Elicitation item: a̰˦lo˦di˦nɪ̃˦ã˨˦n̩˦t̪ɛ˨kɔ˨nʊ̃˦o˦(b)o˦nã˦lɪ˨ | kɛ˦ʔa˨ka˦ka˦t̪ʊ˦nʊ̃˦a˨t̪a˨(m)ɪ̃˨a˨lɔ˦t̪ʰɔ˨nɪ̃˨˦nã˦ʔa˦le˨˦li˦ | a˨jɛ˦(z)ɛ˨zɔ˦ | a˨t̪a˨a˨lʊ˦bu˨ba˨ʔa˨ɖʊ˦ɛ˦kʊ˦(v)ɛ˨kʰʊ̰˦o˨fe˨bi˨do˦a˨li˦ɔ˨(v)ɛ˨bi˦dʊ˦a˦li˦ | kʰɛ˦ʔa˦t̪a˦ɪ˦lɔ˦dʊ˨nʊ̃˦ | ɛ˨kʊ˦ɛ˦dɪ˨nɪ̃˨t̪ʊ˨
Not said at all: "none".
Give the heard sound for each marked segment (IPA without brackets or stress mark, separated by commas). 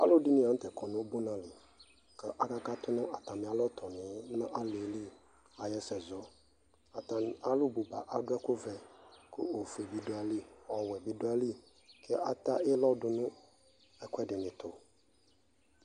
b, m, s, v, w